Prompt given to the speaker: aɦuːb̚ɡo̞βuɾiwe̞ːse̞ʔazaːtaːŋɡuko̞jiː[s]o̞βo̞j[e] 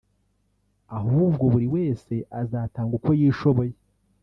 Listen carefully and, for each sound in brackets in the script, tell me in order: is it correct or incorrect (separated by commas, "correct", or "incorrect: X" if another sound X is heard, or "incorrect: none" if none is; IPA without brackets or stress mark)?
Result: incorrect: ʃ, correct